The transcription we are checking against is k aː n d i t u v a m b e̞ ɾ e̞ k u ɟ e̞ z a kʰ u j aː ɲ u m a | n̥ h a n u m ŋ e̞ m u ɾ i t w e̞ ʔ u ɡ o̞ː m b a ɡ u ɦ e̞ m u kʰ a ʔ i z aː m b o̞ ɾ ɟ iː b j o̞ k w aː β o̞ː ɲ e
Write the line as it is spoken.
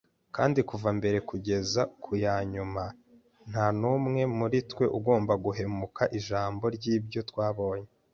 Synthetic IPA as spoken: k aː n d i k u v a m b e̞ ɾ e̞ k u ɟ e̞ z a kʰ u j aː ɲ u m a | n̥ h a n u m ŋ e̞ m u ɾ i t w e̞ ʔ u ɡ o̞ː m b a ɡ u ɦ e̞ m u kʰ a ʔ i ʒ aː m b o̞ ɾ ɟ iː b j o̞ t w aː β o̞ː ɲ e